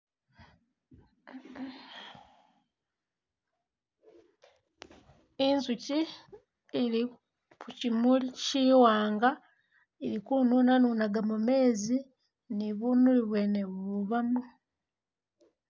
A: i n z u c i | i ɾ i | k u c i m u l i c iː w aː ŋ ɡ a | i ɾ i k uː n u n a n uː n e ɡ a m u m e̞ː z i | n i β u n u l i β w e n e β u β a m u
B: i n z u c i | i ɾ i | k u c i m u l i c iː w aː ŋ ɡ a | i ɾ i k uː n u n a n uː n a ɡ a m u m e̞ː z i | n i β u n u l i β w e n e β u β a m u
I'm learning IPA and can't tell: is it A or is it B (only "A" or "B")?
B